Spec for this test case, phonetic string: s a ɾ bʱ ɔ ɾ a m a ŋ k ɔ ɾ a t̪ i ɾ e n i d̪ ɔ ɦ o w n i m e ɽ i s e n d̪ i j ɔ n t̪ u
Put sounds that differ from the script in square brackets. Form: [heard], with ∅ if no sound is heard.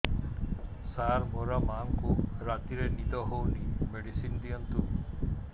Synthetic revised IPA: s a ɾ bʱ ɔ ɾ a m a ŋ k [u] ɾ a t̪ i ɾ e n i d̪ ɔ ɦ o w n i m e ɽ i s [i] n d̪ i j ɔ n t̪ u